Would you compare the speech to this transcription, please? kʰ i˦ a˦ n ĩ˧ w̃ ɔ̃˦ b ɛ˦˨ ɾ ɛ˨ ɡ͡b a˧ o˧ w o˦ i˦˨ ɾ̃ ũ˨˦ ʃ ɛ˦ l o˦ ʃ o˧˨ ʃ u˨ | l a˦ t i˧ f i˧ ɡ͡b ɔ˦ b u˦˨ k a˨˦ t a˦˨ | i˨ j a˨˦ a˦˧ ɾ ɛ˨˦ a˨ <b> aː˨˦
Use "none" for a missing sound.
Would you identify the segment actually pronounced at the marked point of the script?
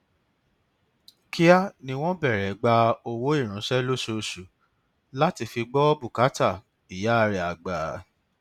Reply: ɡ͡b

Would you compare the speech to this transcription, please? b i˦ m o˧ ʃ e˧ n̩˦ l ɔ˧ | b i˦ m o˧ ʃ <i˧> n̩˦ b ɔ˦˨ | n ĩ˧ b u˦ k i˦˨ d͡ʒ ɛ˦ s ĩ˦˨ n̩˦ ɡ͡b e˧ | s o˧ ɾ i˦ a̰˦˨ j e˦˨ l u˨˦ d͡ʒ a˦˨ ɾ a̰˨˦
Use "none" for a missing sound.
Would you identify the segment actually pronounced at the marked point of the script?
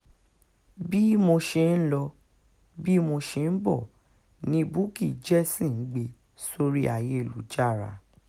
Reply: e˧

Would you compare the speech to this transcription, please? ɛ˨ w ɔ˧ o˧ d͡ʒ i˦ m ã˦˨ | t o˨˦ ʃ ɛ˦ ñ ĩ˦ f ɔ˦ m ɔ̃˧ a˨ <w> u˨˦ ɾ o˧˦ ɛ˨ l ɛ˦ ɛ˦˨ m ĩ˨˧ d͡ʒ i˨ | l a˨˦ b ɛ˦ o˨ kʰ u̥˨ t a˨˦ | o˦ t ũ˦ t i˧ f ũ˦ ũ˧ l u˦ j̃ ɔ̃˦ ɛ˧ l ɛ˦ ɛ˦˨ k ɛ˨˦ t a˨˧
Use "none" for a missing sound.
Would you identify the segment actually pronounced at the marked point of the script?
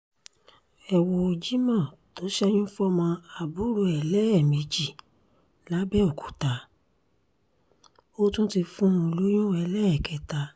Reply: b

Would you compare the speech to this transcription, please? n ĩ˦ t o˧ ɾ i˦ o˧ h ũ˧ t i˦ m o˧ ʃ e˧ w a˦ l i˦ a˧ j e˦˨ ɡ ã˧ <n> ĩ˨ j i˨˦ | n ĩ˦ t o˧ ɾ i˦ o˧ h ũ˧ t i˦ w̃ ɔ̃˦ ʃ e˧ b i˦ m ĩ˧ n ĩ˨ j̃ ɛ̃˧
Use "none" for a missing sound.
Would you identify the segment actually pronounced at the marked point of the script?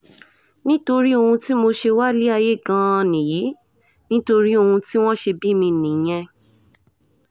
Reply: n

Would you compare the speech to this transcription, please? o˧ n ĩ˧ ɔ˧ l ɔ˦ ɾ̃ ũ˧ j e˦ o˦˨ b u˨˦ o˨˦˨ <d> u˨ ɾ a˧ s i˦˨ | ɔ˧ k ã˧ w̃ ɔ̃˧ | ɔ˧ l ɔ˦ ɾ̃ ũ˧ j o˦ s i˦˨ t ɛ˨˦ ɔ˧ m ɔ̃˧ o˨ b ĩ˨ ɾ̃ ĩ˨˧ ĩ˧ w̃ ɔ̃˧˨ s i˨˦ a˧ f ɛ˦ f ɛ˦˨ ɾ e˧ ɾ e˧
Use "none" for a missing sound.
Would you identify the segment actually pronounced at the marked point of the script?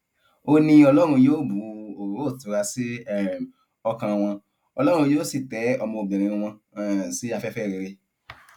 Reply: t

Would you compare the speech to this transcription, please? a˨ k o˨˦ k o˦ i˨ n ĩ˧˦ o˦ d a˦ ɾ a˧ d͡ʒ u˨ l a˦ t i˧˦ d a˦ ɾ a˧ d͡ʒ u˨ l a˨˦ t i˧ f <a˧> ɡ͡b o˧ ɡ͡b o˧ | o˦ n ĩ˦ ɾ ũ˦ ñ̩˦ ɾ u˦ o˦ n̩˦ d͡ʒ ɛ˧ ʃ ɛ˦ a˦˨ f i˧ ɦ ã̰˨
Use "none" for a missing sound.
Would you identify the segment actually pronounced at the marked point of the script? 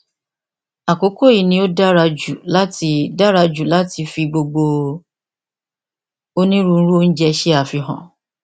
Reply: i˧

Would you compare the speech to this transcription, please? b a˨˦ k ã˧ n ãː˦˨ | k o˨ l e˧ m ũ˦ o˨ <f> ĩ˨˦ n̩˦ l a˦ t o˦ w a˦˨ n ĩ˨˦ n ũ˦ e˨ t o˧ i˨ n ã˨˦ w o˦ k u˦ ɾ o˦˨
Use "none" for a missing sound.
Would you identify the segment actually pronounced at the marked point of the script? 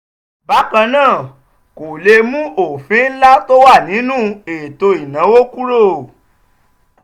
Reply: f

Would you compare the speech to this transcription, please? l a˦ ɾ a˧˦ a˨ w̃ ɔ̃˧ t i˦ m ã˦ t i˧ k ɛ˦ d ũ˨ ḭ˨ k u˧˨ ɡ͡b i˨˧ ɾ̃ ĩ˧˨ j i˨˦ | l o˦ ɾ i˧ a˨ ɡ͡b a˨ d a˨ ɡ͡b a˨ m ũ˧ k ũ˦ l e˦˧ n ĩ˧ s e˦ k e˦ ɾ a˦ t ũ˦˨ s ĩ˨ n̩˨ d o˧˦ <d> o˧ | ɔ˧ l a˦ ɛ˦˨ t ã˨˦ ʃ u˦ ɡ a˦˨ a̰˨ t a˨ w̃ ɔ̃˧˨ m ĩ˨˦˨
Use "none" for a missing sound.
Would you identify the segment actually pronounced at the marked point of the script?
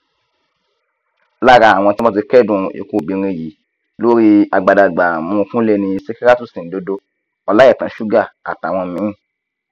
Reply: d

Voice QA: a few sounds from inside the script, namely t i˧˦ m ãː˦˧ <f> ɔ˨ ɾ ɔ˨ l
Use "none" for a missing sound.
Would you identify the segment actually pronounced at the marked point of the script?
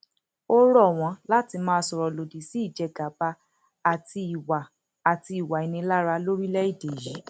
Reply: s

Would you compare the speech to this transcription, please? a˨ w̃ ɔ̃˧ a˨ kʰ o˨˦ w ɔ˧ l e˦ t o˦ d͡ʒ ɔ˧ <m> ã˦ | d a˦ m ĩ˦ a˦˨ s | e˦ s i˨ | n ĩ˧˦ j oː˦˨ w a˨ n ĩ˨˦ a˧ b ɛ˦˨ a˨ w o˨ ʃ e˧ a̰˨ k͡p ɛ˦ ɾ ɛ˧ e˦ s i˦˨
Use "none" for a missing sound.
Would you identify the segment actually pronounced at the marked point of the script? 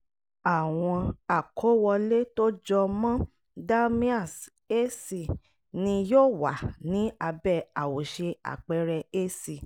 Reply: m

